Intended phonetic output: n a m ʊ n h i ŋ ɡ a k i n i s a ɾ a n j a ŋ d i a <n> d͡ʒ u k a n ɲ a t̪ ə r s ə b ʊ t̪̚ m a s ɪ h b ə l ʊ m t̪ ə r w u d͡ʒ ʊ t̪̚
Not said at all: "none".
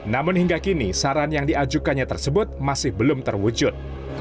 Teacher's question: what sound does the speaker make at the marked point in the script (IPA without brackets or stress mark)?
none